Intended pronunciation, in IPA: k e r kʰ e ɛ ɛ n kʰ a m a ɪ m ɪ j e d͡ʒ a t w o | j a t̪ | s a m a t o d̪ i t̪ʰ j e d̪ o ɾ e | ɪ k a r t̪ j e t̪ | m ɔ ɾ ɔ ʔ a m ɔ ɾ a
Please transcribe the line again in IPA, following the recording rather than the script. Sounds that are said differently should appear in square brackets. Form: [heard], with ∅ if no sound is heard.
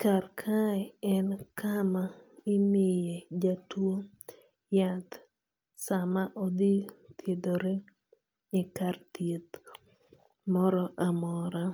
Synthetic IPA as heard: k [a] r kʰ [a] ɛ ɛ n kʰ a m a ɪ m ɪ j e d͡ʒ a t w o | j a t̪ | s a m a [ʔ] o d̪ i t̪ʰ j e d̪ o ɾ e | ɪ k a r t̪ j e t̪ | m ɔ ɾ ɔ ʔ a m ɔ ɾ a